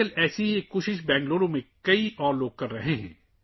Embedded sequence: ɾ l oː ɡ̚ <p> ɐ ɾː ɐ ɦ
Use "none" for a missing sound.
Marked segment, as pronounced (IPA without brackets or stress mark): k